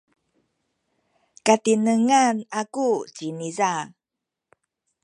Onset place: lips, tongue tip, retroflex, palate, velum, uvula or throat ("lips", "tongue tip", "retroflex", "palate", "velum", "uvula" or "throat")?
velum